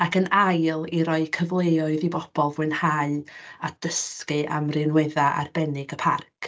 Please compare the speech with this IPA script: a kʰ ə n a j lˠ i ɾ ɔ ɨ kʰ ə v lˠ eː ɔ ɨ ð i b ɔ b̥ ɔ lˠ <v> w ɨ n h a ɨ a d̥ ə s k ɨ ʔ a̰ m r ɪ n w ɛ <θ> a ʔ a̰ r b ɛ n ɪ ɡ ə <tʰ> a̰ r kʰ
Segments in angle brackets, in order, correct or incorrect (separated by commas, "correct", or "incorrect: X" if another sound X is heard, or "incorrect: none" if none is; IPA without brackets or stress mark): correct, incorrect: ð, incorrect: pʰ